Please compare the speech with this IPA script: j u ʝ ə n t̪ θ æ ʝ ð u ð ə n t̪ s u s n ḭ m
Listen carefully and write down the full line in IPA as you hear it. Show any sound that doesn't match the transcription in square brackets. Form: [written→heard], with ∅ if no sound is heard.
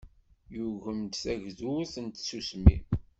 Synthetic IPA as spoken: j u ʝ ə [n→m] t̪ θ æ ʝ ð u [ð→θ] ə n t̪ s u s [n→m] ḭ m

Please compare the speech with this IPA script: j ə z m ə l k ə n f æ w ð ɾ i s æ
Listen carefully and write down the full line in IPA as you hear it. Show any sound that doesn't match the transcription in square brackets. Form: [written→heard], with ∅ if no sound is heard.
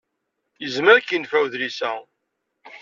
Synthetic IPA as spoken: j ə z m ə [l→ɾ] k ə n f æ w ð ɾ i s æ

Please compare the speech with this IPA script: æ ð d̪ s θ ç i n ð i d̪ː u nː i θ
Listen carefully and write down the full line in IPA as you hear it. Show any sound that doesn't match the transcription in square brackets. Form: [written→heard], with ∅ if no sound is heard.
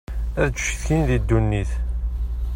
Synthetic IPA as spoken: æ ð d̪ [s→ʃ] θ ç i n ð i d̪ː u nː i θ

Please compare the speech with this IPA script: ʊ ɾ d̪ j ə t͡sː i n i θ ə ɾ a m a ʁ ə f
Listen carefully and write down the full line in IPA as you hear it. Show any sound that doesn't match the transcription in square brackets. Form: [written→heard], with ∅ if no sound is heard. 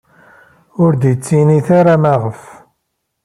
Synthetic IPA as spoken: ʊ ɾ d̪ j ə t͡sː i n i θ [ə→a] ɾ a m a ʁ ə f

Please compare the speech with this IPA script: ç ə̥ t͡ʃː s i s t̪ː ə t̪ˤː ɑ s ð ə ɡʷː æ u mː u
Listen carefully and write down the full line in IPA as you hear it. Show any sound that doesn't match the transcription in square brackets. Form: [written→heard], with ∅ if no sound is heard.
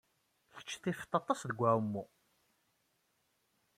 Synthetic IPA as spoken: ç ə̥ t͡ʃː [s→θ] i [s→f] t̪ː [ə→ɑ] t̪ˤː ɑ s ð ə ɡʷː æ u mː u

